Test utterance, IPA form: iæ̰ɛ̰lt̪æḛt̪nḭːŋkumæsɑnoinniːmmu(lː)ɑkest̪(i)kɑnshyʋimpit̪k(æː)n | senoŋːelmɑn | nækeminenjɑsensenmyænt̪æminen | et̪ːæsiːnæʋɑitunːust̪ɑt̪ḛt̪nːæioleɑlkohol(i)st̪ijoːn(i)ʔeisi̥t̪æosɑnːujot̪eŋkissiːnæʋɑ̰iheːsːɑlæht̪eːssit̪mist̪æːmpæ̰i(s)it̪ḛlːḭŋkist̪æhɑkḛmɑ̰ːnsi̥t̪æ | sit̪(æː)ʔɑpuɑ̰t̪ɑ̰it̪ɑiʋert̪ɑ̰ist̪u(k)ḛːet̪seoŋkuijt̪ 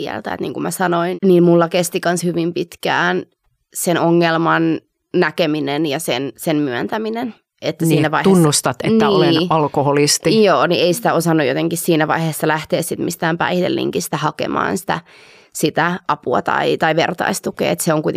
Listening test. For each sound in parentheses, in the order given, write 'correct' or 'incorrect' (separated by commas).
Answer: correct, correct, correct, correct, correct, incorrect, incorrect, correct